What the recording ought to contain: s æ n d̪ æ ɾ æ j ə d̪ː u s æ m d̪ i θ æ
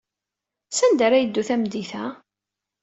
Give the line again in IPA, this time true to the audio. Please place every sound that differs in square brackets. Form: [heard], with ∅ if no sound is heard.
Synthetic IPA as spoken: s æ n d̪ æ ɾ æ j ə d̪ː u [θ] æ m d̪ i θ æ